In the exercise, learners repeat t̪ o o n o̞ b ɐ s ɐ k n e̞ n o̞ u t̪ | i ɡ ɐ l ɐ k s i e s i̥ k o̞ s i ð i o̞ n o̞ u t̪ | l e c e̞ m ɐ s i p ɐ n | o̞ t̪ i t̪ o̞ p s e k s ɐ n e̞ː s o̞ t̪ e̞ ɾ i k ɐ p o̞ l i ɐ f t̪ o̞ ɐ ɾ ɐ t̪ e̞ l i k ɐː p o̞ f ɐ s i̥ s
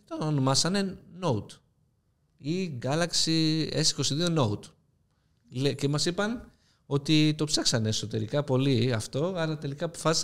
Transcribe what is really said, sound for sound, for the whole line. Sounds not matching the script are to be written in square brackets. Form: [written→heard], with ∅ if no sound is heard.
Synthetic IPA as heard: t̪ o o n o̞ [b→m] ɐ s ɐ [k→∅] n e̞ n o̞ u t̪ | i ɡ ɐ l ɐ k s i e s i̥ k o̞ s i ð i o̞ n o̞ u t̪ | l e c e̞ m ɐ s i p ɐ n | o̞ t̪ i t̪ o̞ p s e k s ɐ n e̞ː s o̞ t̪ e̞ ɾ i k ɐ p o̞ l i ɐ f t̪ o̞ ɐ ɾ ɐ t̪ e̞ l i k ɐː p o̞ f ɐ s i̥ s